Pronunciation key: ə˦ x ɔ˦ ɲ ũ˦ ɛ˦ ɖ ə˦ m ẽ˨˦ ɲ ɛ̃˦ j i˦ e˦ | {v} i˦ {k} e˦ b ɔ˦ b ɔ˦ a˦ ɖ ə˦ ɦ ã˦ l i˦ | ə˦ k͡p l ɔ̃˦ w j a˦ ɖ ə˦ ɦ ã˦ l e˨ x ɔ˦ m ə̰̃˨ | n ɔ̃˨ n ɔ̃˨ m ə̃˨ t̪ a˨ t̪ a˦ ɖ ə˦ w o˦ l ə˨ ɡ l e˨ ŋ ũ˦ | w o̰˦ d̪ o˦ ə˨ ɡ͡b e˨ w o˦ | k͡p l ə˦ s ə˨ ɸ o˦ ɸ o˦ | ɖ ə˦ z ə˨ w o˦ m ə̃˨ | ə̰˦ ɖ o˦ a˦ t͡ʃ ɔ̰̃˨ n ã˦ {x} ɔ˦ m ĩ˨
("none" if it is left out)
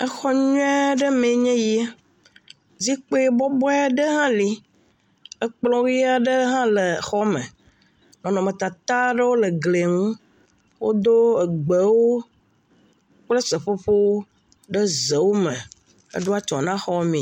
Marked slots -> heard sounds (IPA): z, k͡p, x

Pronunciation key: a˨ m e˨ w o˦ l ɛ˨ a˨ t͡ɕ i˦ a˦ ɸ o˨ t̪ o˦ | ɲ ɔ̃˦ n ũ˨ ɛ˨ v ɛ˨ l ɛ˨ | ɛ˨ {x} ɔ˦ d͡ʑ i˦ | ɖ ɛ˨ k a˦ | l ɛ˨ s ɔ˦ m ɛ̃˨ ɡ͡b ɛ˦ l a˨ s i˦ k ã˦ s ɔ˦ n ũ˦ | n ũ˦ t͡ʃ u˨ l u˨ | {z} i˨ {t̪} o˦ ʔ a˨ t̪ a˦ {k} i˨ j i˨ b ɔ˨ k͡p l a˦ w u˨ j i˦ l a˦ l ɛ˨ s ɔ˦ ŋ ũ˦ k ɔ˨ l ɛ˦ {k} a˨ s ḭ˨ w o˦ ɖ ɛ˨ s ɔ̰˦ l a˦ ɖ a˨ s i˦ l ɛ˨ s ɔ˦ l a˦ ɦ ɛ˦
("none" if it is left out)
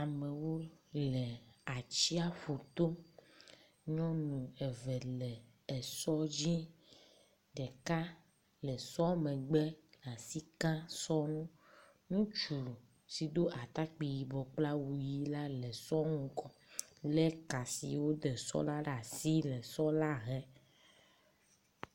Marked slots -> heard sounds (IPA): s, s, d̪, k͡p, k

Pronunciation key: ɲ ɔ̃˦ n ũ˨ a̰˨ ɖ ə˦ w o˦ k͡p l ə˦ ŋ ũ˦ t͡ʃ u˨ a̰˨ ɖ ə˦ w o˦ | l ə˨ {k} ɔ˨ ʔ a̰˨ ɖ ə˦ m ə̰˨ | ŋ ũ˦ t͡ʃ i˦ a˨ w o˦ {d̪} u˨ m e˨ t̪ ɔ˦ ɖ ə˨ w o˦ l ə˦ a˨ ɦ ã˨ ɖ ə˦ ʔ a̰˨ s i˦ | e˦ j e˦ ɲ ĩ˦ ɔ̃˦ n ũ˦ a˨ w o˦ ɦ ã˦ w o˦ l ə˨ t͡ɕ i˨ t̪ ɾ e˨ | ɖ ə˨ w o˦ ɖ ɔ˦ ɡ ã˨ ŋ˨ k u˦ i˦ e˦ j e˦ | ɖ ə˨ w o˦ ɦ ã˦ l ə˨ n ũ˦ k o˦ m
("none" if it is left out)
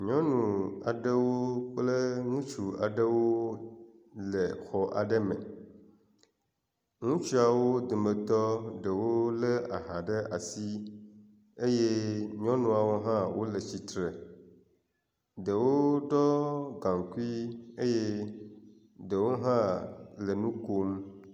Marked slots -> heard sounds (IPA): x, d̪

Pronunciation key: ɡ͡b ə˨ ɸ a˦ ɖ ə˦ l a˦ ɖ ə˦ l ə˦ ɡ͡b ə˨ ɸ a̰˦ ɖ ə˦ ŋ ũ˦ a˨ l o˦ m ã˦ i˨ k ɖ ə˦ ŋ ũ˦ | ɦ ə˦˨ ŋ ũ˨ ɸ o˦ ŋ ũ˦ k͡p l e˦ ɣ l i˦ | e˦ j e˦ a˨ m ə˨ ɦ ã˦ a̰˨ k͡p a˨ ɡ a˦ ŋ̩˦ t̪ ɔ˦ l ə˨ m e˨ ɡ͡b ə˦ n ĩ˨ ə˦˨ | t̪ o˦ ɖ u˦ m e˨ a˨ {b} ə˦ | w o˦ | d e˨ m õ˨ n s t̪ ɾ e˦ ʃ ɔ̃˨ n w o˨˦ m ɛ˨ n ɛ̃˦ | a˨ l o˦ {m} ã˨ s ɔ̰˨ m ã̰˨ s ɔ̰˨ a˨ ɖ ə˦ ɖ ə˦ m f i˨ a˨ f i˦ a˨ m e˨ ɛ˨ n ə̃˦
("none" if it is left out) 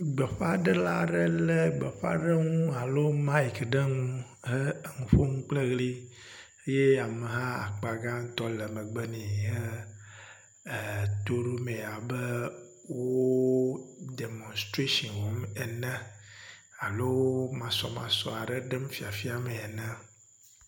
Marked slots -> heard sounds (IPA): b, m

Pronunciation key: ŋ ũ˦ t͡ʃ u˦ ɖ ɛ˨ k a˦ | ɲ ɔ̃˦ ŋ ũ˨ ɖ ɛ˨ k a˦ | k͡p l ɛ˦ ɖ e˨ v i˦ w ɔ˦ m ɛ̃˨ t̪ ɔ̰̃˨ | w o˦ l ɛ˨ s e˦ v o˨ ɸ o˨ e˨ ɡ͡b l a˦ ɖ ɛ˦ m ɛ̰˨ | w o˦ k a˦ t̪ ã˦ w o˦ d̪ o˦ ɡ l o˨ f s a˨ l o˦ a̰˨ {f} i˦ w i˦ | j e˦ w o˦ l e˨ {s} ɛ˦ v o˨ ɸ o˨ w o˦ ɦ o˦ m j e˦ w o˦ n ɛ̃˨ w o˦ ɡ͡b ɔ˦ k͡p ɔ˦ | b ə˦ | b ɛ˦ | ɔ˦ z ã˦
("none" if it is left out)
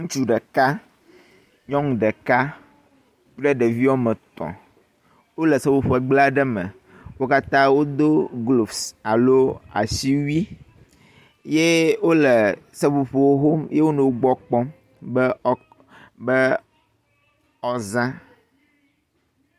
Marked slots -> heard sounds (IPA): s, s

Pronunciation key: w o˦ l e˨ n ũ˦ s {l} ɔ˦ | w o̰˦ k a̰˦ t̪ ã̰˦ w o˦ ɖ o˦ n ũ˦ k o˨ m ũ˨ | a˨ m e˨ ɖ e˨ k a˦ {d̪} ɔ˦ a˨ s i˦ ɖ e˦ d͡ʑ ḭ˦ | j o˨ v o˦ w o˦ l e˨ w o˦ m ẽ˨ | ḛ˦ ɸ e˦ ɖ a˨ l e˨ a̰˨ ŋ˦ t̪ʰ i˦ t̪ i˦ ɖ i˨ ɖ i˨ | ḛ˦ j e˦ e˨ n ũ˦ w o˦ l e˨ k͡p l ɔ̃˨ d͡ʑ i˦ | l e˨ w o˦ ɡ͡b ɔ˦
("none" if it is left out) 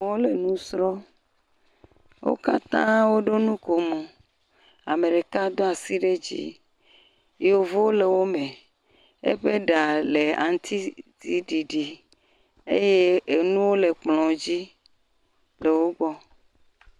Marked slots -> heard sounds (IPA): ɾ, d̪

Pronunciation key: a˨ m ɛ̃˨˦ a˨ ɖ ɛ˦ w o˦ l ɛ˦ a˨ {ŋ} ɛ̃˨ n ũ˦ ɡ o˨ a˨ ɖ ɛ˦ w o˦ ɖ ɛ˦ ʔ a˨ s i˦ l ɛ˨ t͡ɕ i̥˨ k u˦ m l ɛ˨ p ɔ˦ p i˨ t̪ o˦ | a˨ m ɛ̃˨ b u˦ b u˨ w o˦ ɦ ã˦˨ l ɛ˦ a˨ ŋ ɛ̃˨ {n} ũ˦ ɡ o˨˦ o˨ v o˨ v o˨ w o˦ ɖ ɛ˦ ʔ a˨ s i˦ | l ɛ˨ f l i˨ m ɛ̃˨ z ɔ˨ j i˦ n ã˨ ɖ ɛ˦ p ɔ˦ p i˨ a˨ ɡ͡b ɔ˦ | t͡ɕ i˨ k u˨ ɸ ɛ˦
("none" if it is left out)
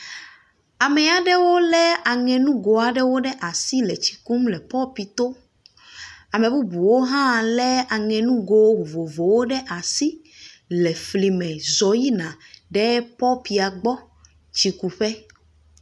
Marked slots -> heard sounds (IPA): ŋ, n

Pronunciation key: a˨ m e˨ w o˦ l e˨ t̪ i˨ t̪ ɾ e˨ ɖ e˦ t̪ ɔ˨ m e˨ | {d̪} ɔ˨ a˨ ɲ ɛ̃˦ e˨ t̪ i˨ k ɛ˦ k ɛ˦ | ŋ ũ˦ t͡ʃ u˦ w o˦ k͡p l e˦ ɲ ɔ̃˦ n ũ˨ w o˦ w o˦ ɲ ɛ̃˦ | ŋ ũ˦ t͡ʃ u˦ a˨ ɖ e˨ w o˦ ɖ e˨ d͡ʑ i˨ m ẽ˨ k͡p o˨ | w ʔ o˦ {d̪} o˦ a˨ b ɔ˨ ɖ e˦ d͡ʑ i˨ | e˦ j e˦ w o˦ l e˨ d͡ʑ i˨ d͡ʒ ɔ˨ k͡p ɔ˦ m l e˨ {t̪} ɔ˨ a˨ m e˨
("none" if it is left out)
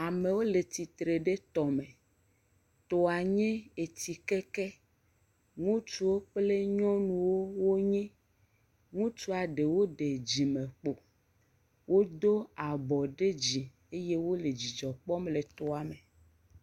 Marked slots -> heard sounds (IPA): t̪, d̪, t̪

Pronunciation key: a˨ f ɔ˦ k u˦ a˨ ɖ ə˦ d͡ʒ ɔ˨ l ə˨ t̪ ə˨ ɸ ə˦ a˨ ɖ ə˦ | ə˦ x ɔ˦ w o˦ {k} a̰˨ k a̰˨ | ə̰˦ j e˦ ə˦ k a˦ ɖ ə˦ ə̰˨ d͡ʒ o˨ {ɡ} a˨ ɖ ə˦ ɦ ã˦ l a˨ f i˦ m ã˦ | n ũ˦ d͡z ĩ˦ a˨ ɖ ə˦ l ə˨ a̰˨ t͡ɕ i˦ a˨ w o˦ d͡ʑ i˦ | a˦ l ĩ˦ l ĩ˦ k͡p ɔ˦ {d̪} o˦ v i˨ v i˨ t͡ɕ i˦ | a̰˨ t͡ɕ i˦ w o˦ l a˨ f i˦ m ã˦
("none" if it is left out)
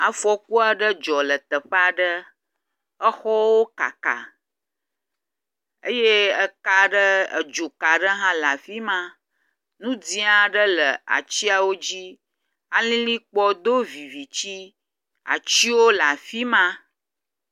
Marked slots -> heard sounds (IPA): k, k, d̪

